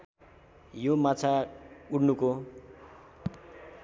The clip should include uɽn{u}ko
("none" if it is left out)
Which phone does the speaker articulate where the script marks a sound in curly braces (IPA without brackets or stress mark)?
u